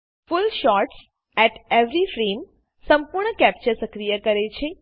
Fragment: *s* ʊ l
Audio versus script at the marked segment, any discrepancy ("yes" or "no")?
yes